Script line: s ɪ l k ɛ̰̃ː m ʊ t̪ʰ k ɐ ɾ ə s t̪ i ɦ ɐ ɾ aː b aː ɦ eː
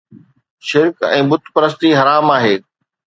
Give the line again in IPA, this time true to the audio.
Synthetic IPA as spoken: ʃ ɪ ɾ k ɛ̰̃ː b ʊ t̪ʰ p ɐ ɾ ə s t̪ i ɦ ɐ ɾ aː m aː ɦ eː